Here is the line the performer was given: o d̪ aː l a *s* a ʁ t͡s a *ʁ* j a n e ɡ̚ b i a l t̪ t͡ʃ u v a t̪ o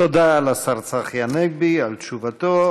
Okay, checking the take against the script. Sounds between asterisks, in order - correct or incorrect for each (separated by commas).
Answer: correct, incorrect